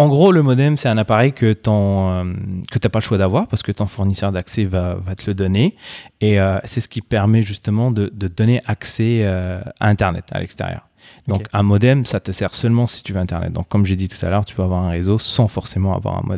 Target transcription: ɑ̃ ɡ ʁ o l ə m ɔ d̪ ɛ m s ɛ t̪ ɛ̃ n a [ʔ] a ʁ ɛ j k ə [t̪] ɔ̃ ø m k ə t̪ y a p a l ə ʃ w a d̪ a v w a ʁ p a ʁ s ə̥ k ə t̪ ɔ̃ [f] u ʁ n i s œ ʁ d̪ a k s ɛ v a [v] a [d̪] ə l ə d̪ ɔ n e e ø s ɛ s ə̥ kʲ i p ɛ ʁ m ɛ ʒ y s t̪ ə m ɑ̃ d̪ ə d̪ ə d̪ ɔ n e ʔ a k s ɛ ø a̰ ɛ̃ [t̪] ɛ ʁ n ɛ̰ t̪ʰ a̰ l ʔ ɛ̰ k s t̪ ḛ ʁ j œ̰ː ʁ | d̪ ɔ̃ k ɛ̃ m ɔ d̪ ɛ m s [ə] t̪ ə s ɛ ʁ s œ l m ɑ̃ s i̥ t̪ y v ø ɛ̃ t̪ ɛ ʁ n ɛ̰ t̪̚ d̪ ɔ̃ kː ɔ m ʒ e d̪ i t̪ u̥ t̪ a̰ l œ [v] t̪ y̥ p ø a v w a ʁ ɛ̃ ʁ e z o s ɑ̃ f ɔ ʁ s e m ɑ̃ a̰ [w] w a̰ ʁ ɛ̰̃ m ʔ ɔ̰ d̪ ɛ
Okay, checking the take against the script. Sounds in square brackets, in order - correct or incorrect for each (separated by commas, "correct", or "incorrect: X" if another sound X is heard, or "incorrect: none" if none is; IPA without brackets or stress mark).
incorrect: p, correct, correct, correct, incorrect: t̪, correct, incorrect: a, incorrect: ʁ, incorrect: v